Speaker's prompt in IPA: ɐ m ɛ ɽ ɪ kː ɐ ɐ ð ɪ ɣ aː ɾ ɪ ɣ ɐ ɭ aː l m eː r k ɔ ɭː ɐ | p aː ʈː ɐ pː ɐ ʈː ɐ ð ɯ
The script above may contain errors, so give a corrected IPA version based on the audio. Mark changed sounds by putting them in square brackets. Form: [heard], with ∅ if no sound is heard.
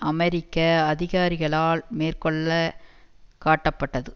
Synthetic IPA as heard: ɐ m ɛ [ɾ] ɪ kː ɐ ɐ ð ɪ ɣ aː ɾ ɪ ɣ ɐ ɭ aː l m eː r k ɔ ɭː ɐ | [k] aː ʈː ɐ pː ɐ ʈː ɐ ð ɯ